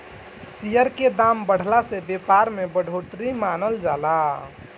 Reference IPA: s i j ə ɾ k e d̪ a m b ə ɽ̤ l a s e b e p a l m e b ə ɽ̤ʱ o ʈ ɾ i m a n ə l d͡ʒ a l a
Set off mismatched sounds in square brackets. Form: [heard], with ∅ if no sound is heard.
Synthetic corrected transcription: s i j ə ɾ k e d̪ a m b ə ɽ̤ l a s e b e p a [ɾ] m e b ə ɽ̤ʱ o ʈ ɾ i m a n ə l d͡ʒ a l a